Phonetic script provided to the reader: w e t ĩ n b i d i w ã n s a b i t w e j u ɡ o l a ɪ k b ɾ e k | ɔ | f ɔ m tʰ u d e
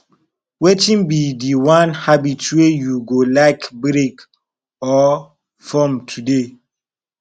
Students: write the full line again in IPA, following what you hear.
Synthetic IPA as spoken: w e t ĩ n b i d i w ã n h a b i t w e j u ɡ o l a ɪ k b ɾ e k | ɔ | f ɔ m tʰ u d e